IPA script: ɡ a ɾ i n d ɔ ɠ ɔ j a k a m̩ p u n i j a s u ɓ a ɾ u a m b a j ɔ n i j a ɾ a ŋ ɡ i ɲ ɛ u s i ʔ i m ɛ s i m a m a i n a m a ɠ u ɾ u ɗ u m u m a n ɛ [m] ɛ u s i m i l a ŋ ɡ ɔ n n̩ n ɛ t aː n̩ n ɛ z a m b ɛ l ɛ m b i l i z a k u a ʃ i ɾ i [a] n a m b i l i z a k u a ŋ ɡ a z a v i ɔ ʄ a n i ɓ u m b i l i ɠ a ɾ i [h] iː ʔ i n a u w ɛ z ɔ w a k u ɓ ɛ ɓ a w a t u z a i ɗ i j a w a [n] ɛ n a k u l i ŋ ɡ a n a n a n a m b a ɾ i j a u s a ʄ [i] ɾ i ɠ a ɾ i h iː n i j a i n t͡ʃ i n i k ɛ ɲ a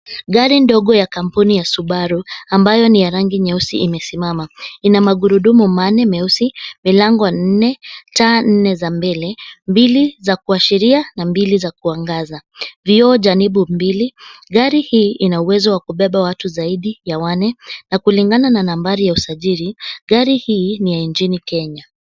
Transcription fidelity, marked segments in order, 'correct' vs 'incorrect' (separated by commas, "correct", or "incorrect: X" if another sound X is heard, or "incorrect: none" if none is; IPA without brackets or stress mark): correct, correct, correct, correct, correct